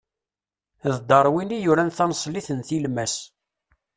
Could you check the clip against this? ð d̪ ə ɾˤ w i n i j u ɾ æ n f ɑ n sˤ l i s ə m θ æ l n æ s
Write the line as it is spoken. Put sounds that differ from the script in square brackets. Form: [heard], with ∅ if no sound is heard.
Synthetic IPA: ð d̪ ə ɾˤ w i n i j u ɾ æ n [θ] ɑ n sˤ l i [θ] ə [n] θ [i] l [m] æ s

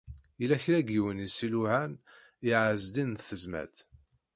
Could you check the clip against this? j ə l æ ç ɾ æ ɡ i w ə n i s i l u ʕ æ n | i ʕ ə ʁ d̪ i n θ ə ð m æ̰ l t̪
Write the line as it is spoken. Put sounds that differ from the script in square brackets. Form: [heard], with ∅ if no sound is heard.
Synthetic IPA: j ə l æ ç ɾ æ ɡ i w ə n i s i l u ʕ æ n | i ʕ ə [z] d̪ i n θ ə [z] m æ̰ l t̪

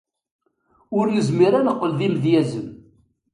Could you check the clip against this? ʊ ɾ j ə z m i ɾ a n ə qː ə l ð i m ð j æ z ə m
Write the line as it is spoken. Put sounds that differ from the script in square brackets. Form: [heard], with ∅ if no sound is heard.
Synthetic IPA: ʊ ɾ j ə z m i ɾ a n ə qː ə l ð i m ð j æ z ə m

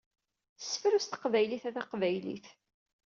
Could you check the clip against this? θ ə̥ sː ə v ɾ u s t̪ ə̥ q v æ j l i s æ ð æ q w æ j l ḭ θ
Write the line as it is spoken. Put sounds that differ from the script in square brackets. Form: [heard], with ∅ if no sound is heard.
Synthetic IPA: θ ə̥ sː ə [f] ɾ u s t̪ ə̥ q v æ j l i [θ] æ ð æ q [v] æ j l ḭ θ

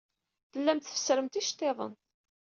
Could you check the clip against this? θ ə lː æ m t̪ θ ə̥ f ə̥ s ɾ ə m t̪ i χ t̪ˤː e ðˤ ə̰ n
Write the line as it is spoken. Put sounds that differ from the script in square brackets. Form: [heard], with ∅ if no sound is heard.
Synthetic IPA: θ ə lː æ m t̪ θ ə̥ f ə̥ s ɾ ə m t̪ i [ʃ] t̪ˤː e ðˤ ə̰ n

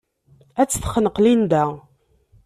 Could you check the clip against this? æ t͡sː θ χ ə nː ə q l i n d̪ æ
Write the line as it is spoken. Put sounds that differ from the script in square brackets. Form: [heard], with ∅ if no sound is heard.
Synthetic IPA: æ t͡sː θ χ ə [n] ə q l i n d̪ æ

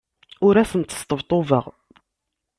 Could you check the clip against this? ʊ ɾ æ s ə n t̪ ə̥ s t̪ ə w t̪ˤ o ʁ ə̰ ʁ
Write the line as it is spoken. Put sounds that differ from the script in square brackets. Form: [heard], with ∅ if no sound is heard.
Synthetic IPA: ʊ ɾ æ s ə n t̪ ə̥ s t̪ ə [v] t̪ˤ o [v] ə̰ ʁ

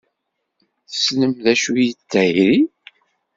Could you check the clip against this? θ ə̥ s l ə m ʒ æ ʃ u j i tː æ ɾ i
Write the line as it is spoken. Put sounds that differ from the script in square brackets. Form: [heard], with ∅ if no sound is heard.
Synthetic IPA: θ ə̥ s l ə m [ð] æ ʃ u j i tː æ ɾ i

